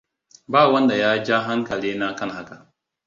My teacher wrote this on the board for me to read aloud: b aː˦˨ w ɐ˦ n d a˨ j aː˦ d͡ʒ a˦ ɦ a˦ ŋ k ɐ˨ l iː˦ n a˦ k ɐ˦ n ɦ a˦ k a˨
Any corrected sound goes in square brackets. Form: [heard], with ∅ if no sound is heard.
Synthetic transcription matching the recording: b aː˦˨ w ɐ˦ n d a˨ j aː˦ d͡ʒ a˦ ɦ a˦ ŋ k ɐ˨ l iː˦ n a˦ k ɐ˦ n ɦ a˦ k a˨

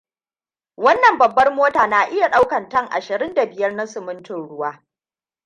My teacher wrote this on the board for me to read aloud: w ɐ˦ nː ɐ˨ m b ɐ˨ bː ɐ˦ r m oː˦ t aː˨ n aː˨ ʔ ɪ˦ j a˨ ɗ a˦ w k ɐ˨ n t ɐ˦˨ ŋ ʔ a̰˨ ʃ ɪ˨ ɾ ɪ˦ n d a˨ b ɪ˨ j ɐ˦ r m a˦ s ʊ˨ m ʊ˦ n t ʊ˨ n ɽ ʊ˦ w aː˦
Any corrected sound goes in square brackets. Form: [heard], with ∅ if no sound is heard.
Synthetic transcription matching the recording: w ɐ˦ nː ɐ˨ m b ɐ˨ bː ɐ˦ r m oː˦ t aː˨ n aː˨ ʔ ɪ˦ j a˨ ɗ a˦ w k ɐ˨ n t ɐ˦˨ ŋ ʔ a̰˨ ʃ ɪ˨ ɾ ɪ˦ n d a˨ b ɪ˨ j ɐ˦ r [n] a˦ s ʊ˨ m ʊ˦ n t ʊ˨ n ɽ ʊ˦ w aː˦

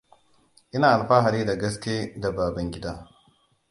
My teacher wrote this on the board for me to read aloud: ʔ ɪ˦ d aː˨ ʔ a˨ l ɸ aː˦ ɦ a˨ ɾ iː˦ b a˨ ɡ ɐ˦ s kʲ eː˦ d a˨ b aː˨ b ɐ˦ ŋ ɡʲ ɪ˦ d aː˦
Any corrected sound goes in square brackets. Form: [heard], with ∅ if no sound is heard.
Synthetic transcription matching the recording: ʔ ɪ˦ [n] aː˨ ʔ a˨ l ɸ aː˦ ɦ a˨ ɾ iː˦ [d] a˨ ɡ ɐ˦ s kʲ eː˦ d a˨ b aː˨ b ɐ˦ ŋ ɡʲ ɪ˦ d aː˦

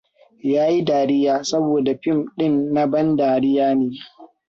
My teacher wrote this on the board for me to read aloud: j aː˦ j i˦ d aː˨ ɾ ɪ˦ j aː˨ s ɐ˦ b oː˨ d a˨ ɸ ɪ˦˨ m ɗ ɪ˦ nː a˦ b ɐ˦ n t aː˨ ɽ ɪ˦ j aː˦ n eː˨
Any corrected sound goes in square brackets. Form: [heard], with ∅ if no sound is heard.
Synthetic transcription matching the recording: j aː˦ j i˦ d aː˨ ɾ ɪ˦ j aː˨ s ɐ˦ b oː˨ d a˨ ɸ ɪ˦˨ m ɗ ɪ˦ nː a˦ b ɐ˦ n [d] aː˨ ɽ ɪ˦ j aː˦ n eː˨

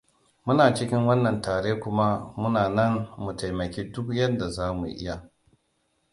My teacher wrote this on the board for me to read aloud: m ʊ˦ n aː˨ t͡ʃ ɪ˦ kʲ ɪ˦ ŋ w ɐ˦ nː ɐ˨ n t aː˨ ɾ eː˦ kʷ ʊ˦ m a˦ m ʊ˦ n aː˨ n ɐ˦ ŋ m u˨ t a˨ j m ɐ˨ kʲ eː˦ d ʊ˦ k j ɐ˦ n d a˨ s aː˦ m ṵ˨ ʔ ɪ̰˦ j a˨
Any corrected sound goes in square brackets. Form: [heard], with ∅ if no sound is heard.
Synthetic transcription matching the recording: m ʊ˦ n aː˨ t͡ʃ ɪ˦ kʲ ɪ˦ ŋ w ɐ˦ nː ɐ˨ n t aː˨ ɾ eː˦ kʷ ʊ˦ m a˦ m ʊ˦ n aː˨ n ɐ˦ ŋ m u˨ t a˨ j m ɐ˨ kʲ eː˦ d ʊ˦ k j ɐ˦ n d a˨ [z] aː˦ m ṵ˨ ʔ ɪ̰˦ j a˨

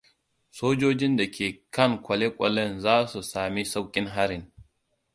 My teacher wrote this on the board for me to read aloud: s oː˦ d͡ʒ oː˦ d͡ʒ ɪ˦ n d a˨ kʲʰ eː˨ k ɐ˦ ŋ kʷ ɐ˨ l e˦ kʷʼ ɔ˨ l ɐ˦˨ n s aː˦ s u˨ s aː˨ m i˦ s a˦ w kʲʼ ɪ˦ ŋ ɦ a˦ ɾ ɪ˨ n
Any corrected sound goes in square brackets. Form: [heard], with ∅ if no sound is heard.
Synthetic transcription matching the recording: s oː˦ d͡ʒ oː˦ d͡ʒ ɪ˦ n d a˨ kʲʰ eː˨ k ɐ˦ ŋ kʷ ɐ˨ l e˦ kʷʼ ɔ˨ l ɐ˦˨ n [z] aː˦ s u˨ s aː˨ m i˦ s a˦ w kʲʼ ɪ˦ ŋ ɦ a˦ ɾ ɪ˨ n

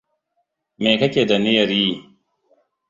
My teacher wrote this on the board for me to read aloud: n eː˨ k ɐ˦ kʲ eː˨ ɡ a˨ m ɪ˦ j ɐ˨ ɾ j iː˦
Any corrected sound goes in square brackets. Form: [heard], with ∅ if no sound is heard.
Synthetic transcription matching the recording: [m] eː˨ k ɐ˦ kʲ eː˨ [d] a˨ [n] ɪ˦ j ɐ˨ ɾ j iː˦

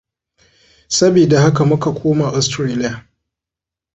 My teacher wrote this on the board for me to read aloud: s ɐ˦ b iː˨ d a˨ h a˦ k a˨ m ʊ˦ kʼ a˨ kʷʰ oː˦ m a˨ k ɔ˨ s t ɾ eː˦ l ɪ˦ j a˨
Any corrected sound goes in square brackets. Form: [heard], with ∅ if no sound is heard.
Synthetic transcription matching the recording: s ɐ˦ b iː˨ d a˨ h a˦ k a˨ m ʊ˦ [k] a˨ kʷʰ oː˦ m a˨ [ʔ] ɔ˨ s t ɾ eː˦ l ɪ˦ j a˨

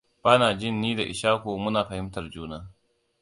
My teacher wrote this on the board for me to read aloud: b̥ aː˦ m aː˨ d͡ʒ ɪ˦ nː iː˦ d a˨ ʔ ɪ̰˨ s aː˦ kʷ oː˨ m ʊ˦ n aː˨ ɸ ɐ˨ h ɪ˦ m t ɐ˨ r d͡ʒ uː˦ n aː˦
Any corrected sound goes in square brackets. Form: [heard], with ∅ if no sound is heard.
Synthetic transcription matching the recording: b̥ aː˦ [n] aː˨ d͡ʒ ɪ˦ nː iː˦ d a˨ ʔ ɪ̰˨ [ʃ] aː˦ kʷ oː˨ m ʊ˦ n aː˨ ɸ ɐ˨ h ɪ˦ m t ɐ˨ r d͡ʒ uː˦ n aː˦

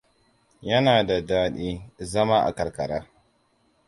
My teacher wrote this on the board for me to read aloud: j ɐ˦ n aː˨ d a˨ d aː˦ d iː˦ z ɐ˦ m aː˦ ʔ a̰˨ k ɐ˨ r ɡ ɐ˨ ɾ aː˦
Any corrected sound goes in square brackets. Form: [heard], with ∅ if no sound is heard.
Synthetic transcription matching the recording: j ɐ˦ n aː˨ d a˨ d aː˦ [ɗ] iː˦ z ɐ˦ m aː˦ ʔ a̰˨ k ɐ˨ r [k] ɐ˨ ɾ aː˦

